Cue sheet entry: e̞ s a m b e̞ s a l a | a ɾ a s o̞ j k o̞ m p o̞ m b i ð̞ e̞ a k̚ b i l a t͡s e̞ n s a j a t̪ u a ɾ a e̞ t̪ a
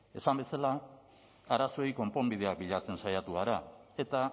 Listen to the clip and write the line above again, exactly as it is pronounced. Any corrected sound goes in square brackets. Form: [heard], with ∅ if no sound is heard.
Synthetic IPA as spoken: e̞ s a m b e̞ s a l a | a ɾ a s o̞ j k o̞ m p o̞ m b i ð̞ e̞ a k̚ b i [ʎ] a t͡s e̞ n s a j a t̪ u a ɾ a e̞ t̪ a